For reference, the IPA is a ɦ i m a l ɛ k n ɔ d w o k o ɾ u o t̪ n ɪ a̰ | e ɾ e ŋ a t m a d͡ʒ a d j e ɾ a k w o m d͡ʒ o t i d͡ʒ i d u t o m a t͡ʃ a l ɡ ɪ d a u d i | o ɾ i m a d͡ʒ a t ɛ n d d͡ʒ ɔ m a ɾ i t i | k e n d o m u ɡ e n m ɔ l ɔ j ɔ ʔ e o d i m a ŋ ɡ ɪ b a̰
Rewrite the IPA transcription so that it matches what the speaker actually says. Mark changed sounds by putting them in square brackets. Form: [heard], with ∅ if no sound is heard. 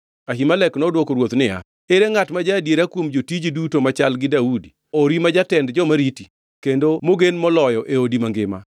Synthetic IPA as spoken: a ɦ i m a l ɛ k n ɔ d w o k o ɾ [w] o t̪ n ɪ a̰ | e ɾ e ŋ a t m a d͡ʒ a d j e ɾ a k w o m d͡ʒ o t i d͡ʒ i d u t o m a t͡ʃ a l ɡ ɪ d a u d i | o ɾ i m a d͡ʒ a t ɛ n d d͡ʒ ɔ m a ɾ i t i | k e n d o m [o] ɡ e n m ɔ l ɔ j ɔ ʔ e o d i m a ŋ ɡ ɪ [m] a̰